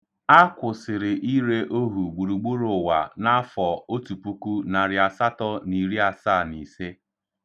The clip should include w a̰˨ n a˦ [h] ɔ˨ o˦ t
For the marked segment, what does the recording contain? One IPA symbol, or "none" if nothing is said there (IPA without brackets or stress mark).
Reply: f